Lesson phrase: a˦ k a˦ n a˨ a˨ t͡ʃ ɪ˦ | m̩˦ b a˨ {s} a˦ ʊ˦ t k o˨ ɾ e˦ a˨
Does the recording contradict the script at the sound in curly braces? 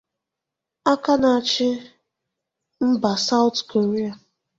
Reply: no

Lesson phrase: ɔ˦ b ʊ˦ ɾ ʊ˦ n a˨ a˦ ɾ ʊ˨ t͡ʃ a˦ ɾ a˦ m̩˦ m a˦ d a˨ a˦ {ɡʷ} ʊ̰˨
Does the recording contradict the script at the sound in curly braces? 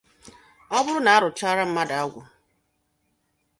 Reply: no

